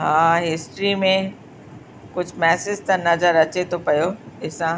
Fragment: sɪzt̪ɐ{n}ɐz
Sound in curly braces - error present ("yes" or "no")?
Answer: no